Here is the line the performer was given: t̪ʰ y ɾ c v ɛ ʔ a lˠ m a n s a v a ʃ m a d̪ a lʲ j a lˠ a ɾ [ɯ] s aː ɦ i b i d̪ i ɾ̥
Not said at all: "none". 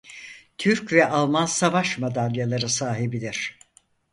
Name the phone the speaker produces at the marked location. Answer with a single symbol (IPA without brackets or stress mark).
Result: ɯ